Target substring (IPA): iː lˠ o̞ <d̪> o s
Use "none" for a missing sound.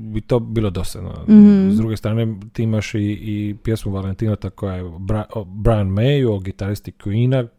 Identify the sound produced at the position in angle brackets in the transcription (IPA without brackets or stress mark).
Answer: d̪